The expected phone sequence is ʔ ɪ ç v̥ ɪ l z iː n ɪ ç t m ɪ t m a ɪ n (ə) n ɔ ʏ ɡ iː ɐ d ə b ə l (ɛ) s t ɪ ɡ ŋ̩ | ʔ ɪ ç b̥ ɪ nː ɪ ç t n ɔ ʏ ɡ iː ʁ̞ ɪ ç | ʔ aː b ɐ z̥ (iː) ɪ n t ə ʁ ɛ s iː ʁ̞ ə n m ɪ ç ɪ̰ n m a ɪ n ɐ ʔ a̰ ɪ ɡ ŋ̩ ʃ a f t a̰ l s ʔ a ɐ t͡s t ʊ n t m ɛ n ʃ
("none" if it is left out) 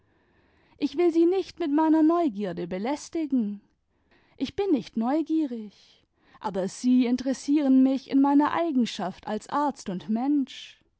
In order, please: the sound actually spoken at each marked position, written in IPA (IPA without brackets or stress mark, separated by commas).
ɐ, ɛ, iː